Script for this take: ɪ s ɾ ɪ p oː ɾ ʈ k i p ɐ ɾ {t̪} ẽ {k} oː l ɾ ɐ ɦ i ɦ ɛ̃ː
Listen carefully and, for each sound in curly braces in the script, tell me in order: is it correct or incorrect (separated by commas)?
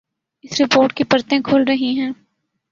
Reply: correct, incorrect